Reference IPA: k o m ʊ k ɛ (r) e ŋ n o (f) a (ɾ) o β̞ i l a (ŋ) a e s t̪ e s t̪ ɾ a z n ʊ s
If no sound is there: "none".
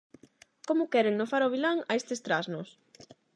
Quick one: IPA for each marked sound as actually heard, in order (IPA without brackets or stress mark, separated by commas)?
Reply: ɾ, f, ɾ, ŋ